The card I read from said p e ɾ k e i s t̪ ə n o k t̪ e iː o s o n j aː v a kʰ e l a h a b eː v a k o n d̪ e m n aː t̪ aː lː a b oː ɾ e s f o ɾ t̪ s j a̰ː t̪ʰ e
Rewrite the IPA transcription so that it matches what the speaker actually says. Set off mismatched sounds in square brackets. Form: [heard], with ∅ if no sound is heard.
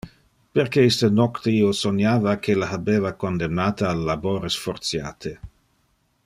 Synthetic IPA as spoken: p e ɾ k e i s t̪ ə n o k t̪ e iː o s o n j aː v a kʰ e l a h a b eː v a k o n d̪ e m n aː t̪ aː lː a b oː ɾ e s f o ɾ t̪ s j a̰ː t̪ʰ e